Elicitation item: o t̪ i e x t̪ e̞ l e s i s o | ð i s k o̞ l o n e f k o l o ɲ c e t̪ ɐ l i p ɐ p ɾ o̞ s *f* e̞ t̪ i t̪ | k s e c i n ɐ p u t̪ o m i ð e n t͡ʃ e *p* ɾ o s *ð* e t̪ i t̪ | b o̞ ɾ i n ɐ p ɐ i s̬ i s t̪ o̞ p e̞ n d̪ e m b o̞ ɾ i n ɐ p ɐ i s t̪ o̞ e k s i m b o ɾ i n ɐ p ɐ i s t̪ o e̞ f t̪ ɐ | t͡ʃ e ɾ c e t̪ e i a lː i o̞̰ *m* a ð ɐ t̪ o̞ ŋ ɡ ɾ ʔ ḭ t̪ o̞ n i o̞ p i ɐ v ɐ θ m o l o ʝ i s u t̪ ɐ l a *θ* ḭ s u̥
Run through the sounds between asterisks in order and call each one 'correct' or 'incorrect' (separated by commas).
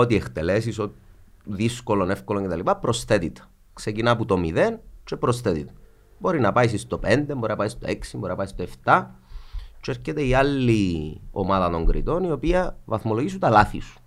incorrect, correct, incorrect, correct, correct